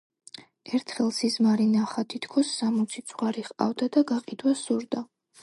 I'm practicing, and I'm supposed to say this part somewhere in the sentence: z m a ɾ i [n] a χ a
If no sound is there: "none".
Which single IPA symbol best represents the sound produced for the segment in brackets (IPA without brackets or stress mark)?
n